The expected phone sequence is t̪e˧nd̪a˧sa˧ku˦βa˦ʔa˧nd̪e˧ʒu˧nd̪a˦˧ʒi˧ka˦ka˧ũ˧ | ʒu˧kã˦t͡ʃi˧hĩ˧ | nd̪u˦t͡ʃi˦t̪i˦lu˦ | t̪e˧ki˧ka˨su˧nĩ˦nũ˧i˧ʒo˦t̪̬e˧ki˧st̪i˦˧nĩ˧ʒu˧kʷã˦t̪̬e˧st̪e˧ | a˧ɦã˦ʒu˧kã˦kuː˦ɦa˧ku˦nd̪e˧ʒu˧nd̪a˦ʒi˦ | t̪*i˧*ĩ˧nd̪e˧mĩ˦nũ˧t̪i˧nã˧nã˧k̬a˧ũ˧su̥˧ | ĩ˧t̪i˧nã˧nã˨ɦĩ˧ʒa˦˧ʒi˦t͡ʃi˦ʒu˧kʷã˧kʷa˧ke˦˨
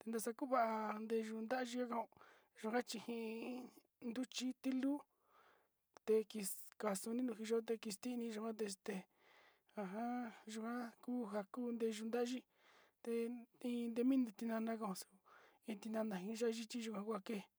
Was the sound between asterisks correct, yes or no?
no